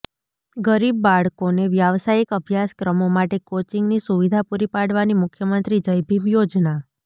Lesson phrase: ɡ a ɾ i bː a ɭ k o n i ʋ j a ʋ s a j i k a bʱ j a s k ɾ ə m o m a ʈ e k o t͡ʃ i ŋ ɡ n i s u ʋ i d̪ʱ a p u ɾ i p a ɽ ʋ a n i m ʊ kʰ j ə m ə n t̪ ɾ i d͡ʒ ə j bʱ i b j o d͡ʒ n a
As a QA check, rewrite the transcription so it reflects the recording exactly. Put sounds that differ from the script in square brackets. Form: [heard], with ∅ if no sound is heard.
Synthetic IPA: ɡ [ə] ɾ i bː a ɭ k o n [e] ʋ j a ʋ s a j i k [ə] bʱ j a s k ɾ ə m o m a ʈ e k o t͡ʃ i ŋ ɡ n i s u ʋ i d̪ʱ a p u ɾ i p a ɽ ʋ a n i m ʊ kʰ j ə m ə n t̪ ɾ i d͡ʒ ə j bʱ i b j o d͡ʒ n a